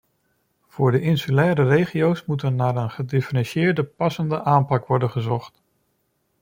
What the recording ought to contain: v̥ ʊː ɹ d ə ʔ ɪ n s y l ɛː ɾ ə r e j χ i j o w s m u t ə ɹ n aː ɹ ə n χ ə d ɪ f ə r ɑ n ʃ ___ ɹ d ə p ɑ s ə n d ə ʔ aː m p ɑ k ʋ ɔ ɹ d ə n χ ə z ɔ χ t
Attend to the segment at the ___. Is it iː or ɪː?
ɪː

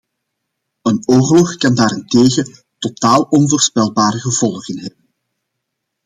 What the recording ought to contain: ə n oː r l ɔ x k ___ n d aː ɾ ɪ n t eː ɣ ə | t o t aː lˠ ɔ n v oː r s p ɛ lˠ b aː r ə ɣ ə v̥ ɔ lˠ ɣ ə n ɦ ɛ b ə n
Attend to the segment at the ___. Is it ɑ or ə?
ɑ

